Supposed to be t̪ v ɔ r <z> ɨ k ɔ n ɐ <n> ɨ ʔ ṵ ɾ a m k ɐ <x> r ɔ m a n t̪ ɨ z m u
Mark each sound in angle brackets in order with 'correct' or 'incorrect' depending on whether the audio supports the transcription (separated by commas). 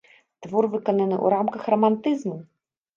incorrect, correct, correct